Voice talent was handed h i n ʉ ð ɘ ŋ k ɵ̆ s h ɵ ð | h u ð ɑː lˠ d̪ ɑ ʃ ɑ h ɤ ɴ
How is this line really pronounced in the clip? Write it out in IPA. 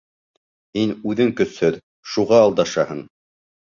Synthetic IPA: h i n ʉ ð ɘ ŋ k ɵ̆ s h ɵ ð | ʃ u ʁ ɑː lˠ d̪ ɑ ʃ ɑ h ɤ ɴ